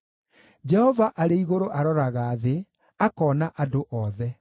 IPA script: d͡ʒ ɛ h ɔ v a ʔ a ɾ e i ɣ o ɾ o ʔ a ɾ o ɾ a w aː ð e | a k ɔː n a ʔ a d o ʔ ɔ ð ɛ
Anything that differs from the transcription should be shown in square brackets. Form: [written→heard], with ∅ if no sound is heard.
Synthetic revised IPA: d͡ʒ ɛ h ɔ v a ʔ a ɾ e i ɣ o ɾ o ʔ a ɾ [o→ɔ] ɾ a [w→ɣ] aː ð e | a k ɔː n a ʔ a d o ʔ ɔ ð ɛ